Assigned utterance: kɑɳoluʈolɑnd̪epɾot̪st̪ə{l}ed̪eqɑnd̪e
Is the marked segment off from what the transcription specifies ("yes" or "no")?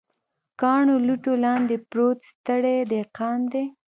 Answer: yes